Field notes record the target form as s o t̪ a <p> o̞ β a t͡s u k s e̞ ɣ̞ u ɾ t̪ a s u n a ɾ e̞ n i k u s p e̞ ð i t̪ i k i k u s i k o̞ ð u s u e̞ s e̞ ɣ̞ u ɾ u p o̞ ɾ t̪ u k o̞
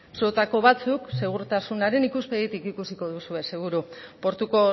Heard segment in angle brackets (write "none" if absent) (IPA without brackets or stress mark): k